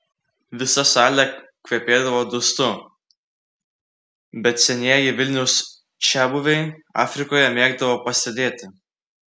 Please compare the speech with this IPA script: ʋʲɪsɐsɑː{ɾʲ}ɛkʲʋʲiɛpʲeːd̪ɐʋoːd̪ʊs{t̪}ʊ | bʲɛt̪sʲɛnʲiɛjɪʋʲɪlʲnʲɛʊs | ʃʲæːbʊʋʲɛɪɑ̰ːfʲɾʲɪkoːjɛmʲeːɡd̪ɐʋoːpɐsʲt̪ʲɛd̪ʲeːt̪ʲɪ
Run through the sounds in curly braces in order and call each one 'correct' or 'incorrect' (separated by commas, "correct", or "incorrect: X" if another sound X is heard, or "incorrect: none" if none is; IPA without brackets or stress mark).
incorrect: lʲ, correct